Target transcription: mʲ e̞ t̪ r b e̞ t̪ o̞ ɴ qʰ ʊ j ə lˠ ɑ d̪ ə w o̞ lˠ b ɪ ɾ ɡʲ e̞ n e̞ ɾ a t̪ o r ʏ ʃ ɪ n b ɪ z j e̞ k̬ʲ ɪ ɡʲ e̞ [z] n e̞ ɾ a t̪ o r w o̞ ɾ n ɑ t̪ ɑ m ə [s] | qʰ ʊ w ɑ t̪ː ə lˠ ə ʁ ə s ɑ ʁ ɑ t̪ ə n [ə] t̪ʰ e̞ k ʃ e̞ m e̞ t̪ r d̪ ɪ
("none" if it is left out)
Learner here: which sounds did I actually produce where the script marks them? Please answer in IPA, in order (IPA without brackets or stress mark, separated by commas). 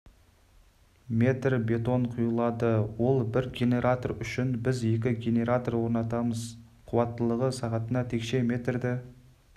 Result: none, z, ɑ